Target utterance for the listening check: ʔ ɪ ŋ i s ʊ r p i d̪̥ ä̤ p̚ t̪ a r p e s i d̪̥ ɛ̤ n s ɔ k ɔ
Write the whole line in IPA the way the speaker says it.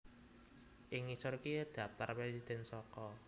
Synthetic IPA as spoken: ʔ ɪ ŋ i s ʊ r k i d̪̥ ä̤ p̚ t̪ a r p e s i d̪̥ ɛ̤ n s ɔ k ɔ